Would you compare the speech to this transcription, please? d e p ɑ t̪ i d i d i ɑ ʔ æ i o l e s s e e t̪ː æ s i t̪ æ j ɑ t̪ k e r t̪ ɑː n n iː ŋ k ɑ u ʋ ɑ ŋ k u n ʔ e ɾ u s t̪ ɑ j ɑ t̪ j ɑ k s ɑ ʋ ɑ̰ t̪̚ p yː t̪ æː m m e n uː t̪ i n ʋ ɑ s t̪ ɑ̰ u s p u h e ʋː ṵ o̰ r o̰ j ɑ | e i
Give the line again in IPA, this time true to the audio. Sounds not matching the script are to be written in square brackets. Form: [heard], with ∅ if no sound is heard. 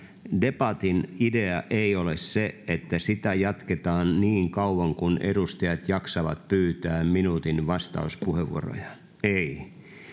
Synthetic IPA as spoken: d e p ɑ t̪ i [n] i d [e] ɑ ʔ [e] i o l e s s e e t̪ː æ s i t̪ æ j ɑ t̪ k e [∅] t̪ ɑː n n iː ŋ k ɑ u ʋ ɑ ŋ k u n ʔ e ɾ u s t̪ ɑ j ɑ t̪ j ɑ k s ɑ ʋ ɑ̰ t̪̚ p yː t̪ æː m m [i] n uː t̪ i n ʋ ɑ s t̪ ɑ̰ u s p u h e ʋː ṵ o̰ r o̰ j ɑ | e i